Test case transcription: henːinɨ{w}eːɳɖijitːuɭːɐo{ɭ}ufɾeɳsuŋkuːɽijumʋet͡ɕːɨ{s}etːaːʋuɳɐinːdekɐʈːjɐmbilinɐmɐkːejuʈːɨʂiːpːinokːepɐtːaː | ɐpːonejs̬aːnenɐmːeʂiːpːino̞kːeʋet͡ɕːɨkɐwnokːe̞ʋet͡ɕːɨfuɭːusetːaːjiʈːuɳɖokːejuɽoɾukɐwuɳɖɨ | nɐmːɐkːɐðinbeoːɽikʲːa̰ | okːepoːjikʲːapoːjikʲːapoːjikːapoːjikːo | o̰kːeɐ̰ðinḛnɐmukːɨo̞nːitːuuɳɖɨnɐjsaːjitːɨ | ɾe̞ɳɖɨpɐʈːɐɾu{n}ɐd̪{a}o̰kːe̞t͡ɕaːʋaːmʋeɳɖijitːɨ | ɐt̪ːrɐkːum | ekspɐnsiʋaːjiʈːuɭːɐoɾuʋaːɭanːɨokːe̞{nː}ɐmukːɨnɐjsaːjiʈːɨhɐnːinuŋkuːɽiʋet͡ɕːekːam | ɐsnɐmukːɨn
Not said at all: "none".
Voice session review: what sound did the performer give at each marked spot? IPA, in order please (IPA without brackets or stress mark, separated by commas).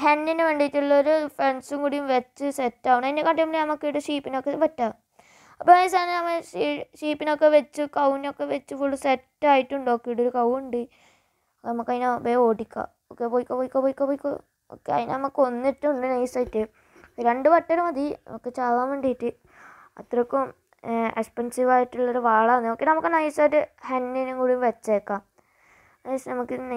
ʋ, ɾ, s, m, i, n